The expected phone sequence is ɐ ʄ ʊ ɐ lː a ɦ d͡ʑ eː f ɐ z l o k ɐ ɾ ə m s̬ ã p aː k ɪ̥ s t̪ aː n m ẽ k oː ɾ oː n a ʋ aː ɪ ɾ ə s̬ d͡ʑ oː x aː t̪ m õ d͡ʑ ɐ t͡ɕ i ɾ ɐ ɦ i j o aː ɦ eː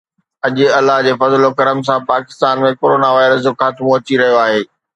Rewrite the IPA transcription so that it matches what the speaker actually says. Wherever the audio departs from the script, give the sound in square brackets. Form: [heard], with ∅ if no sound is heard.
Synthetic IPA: ɐ ʄ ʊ ɐ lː a ɦ d͡ʑ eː f ɐ z l o k ɐ ɾ ə m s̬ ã p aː k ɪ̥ s t̪ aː n m ẽ k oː ɾ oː n a ʋ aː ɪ ɾ ə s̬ d͡ʑ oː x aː t̪ m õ [∅] ɐ t͡ɕ i ɾ ɐ ɦ i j o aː ɦ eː